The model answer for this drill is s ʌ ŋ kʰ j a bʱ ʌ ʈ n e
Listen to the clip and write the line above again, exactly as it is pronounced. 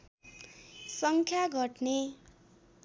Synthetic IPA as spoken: s ʌ ŋ kʰ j a ɡʱ ʌ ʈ n e